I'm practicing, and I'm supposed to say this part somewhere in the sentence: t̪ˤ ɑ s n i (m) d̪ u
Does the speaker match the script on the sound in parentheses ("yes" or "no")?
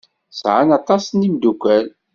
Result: yes